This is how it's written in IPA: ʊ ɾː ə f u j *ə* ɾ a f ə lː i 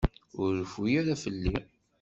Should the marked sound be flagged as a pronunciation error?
yes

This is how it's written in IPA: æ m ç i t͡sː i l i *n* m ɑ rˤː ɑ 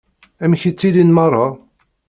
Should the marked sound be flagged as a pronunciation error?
no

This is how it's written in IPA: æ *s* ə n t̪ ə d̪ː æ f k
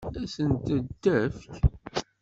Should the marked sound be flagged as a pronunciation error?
no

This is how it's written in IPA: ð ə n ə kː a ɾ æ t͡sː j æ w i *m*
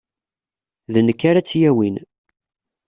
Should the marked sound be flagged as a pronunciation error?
yes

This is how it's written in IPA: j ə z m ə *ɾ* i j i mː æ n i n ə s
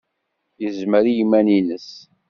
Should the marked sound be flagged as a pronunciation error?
no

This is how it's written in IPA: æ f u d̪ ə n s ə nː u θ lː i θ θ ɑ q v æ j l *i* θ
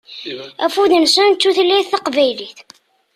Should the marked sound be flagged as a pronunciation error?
no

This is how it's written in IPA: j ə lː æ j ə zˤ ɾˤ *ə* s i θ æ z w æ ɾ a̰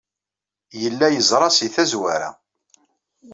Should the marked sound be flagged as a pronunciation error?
yes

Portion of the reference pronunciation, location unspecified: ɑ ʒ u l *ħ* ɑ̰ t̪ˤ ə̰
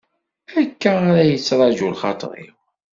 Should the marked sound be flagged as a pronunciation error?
yes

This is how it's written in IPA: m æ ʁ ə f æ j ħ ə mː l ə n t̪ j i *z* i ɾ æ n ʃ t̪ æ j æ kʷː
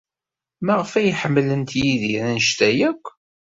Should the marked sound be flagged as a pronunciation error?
yes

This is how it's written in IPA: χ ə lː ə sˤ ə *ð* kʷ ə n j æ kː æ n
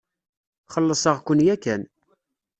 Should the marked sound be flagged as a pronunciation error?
yes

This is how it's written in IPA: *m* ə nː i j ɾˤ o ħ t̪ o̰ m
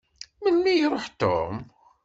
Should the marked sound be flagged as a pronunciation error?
no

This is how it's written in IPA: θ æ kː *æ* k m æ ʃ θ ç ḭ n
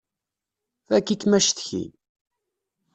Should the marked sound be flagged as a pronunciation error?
yes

